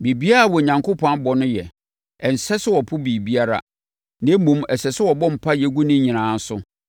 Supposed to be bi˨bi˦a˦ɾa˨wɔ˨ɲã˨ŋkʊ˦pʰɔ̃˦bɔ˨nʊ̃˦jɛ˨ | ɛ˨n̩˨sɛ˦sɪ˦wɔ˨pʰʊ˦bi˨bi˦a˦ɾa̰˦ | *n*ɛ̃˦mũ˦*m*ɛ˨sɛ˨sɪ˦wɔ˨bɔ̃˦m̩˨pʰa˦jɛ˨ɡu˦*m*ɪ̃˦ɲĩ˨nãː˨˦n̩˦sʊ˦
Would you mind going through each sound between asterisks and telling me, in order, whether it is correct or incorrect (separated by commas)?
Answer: correct, correct, incorrect